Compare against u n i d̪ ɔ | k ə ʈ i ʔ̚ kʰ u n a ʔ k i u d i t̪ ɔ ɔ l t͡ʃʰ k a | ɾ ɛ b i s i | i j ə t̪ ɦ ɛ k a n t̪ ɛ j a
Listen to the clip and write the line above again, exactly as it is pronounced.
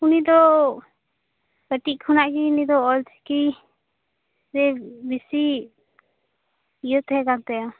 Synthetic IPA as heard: u n i d̪ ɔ | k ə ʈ i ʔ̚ kʰ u n a ʔ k i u n i d̪ ɔ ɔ l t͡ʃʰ k i | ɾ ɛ b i s i | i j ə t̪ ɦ ɛ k a n t̪ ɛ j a

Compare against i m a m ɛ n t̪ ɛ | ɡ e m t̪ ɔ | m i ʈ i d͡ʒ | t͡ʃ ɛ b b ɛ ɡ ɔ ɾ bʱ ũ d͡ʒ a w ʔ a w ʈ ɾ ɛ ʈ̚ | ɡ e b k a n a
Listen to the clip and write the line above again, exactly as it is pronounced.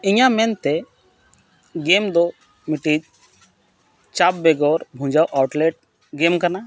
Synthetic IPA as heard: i ɲ a m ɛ n t̪ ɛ | ɡ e m d̪ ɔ | m i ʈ i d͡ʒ | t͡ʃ a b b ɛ ɡ ɔ ɾ bʱ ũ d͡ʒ a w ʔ a w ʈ l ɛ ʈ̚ | ɡ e m k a n a

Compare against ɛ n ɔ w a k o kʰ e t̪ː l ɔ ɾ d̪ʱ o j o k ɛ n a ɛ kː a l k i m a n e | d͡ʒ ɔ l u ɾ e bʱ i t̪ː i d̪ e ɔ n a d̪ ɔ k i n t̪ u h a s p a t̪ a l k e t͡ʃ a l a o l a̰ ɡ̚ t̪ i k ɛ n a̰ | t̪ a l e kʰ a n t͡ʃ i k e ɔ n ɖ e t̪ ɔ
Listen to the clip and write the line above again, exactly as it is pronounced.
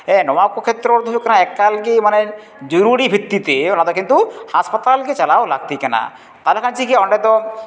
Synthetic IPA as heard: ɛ n ɔ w a k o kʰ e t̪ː ɾ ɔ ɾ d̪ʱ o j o k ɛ n a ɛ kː a l k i m a n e | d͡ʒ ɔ ɾ u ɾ i bʱ i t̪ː i t̪ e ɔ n a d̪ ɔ k i n t̪ u h a s p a t̪ a l k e t͡ʃ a l a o l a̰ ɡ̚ t̪ i k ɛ n a̰ | t̪ a l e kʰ a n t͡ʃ i k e ɔ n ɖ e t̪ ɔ

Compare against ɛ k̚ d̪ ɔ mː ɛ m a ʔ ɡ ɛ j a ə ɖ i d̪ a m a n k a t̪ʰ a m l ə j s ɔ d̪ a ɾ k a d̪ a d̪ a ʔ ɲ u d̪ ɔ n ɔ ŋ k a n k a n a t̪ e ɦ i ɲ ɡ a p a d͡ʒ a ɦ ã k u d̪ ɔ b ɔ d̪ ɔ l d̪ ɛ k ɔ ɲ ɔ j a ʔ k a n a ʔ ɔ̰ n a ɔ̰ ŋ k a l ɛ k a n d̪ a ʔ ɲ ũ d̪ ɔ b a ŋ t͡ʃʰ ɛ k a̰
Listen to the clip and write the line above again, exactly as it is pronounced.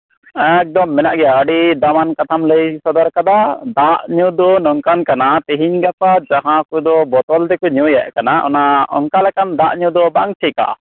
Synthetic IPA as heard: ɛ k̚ d̪ ɔ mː ɛ n a ʔ ɡ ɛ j a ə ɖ i d̪ a m a n k a t̪ʰ a m l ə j s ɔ d̪ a ɾ k a d̪ a d̪ a ʔ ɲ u d̪ ɔ n ɔ ŋ k a n k a n a t̪ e ɦ i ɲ ɡ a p a d͡ʒ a ɦ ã k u d̪ ɔ b ɔ t̪ ɔ l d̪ ɛ k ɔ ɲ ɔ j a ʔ k a n a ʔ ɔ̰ n a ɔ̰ ŋ k a l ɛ k a n d̪ a ʔ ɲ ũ d̪ ɔ b a ŋ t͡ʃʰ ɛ k a̰

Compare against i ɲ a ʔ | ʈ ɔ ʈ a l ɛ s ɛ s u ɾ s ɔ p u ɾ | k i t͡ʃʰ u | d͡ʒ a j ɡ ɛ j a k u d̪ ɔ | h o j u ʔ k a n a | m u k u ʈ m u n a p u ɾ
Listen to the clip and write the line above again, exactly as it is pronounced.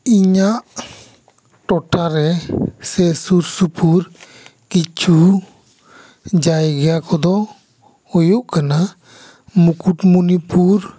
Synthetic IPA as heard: i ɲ a ʔ | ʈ ɔ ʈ a ɾ ɛ s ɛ s u ɾ s u p u ɾ | k i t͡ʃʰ u | d͡ʒ a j ɡ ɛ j a k ɔ d̪ ɔ | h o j u ʔ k a n a | m u k u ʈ m u n i p u ɾ

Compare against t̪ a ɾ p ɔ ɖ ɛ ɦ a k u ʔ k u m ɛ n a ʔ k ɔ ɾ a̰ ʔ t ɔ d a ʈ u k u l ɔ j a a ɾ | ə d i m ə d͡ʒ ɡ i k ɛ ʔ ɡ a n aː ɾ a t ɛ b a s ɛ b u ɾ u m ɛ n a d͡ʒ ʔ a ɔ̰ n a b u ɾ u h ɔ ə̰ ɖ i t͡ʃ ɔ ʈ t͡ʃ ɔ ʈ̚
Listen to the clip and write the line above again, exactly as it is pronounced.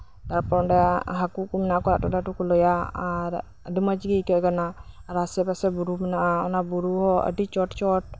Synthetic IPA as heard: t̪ a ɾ p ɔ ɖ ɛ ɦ a k u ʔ k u m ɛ n a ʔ k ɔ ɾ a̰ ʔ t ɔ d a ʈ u k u l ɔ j a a ɾ | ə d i m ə d͡ʒ ɡ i k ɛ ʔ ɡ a n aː ɾ a s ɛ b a s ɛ b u ɾ u m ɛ n a ʔ a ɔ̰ n a b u ɾ u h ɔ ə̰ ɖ i t͡ʃ ɔ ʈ t͡ʃ ɔ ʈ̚

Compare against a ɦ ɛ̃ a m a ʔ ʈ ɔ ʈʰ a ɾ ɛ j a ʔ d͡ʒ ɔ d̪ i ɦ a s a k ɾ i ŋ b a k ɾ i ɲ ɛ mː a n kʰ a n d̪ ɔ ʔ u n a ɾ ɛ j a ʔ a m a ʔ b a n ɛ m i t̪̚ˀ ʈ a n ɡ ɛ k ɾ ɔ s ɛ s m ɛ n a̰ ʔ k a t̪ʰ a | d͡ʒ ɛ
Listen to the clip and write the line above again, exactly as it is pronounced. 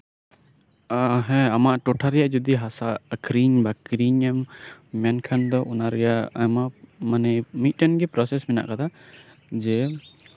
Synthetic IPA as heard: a ɦ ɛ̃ a m a ʔ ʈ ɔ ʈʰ a ɾ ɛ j a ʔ d͡ʒ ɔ d̪ i ɦ a s a k ɾ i ɲ b a k ɾ i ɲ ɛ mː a n kʰ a n d̪ ɔ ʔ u n a ɾ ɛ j a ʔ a m a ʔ m a n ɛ m i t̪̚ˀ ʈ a n ɡ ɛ p ɾ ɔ s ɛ s m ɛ n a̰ ʔ k a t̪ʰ a | d͡ʒ ɛ

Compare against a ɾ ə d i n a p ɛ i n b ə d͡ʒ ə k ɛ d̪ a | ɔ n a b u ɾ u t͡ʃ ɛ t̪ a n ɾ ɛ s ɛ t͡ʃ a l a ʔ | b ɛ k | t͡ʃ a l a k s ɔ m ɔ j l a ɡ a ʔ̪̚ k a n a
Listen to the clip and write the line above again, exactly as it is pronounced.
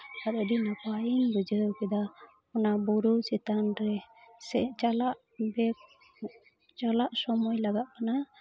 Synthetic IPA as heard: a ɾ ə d i n a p a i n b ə d͡ʒ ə k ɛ d̪ a | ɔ n a b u ɾ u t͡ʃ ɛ t̪ a n ɾ ɛ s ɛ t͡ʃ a l a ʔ | b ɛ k | t͡ʃ a l a ʔ s ɔ m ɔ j l a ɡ a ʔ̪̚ k a n a

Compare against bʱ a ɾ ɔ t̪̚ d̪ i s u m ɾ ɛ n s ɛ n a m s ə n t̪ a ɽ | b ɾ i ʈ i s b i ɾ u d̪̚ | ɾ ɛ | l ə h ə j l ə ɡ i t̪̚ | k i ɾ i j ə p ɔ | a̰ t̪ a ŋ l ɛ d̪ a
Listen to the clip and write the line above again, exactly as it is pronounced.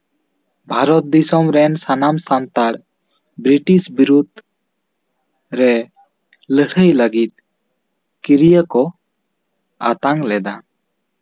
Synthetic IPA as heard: bʱ a ɾ ɔ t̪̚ d̪ i s ɔ m ɾ ɛ n s a n a m s a n t̪ a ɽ | b ɾ i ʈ i s b i ɾ u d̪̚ | ɾ ɛ | l ə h ə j l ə ɡ i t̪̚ | k i ɾ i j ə k ɔ | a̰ t̪ a ŋ l ɛ d̪ a

